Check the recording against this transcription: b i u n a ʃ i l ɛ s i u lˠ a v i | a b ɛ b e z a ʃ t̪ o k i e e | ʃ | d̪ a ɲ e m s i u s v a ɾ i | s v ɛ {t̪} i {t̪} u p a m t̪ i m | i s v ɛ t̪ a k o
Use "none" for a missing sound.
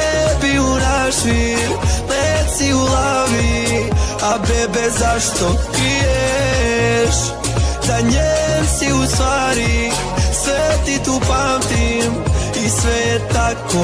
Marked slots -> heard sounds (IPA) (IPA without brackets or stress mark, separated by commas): t̪, t̪